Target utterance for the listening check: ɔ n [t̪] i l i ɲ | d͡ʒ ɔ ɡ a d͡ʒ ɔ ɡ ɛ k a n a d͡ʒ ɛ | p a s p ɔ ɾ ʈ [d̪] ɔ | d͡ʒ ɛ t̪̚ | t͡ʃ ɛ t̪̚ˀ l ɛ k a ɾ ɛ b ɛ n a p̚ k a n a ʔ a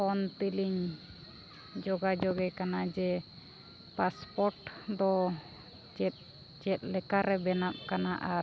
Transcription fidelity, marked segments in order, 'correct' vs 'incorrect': correct, correct

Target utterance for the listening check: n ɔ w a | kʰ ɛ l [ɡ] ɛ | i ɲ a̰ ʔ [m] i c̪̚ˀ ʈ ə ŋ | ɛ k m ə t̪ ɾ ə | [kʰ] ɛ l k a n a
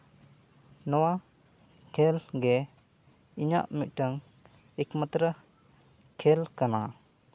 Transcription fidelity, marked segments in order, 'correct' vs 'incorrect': correct, correct, correct

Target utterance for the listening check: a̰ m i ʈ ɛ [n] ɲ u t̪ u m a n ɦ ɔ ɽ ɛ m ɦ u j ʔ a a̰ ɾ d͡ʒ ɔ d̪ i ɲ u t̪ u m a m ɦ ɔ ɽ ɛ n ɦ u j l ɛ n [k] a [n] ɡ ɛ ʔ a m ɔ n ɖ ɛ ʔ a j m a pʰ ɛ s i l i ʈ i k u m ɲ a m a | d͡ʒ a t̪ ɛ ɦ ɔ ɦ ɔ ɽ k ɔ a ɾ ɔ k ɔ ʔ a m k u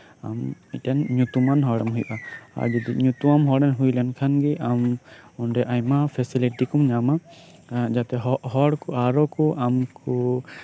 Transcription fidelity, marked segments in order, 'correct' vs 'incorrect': correct, incorrect: kʰ, correct

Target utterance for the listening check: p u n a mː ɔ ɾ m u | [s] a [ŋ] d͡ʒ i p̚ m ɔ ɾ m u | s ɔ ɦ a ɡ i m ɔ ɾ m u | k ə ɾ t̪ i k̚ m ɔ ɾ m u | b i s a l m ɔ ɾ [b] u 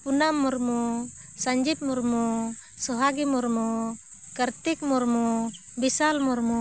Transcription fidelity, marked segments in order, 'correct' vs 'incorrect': correct, incorrect: ɲ, incorrect: m

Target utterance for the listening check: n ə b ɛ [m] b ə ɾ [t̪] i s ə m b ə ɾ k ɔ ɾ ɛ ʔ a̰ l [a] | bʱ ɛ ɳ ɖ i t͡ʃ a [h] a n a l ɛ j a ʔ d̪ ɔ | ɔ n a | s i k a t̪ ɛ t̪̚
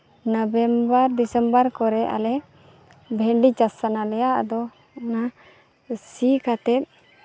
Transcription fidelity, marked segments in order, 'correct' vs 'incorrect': correct, incorrect: d̪, incorrect: ɛ, incorrect: s

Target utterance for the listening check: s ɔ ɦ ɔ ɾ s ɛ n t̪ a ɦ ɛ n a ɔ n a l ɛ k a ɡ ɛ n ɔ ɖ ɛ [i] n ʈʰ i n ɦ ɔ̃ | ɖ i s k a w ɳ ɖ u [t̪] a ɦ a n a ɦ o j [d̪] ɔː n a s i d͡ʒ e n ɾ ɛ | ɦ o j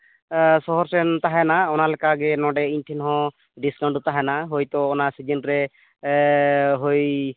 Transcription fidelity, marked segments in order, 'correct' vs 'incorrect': correct, correct, incorrect: t̪

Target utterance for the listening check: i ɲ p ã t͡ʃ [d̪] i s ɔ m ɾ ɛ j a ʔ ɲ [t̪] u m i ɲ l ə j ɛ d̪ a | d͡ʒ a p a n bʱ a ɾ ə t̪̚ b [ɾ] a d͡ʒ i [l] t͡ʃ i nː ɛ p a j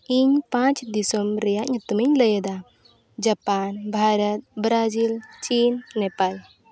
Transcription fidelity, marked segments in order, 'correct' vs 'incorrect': correct, correct, correct, correct

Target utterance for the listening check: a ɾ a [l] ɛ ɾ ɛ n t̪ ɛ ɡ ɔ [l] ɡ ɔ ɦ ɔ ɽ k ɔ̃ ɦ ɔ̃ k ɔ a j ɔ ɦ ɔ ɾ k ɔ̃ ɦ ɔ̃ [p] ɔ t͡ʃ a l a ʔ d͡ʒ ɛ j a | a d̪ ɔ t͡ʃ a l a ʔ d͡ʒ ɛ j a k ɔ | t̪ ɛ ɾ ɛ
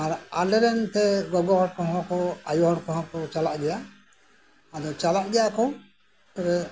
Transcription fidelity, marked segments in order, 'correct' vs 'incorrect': correct, incorrect: none, incorrect: k

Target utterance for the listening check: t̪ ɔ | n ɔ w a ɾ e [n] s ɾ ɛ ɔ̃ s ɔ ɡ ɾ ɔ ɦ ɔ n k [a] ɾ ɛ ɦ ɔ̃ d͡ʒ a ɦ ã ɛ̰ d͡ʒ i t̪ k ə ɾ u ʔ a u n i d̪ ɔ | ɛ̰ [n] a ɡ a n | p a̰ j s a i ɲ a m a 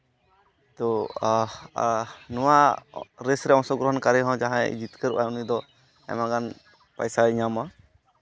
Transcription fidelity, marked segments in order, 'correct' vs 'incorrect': incorrect: none, correct, incorrect: m

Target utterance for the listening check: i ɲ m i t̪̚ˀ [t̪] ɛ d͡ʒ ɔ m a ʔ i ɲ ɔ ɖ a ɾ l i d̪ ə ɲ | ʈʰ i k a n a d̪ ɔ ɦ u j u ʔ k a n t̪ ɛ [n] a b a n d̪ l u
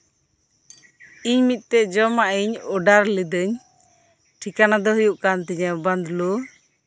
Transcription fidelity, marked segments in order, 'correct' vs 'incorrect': correct, incorrect: ɲ

